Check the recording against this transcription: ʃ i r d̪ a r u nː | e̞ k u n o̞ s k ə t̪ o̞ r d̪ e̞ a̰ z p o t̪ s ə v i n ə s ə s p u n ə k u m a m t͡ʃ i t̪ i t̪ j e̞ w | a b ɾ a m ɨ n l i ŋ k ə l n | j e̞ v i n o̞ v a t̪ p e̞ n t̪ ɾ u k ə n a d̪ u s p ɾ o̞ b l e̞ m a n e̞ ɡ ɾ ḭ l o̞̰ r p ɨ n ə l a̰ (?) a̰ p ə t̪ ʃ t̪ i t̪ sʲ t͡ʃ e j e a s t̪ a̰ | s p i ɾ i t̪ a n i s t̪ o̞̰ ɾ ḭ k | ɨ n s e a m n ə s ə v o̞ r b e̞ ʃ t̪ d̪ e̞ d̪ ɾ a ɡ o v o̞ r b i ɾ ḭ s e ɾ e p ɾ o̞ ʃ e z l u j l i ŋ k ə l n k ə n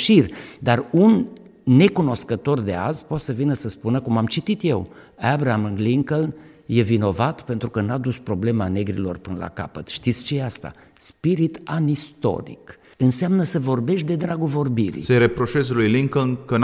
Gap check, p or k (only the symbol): k